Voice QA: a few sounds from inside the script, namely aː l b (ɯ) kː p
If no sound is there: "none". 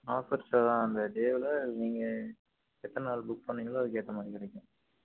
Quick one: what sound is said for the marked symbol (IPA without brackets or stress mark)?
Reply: ʊ